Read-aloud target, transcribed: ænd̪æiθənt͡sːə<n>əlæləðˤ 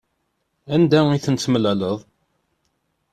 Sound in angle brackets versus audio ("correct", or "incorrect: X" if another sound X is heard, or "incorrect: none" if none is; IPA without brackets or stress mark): incorrect: m